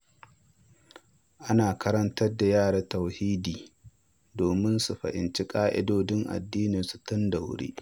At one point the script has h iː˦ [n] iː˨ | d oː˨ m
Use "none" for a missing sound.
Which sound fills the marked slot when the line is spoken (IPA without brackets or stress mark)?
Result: d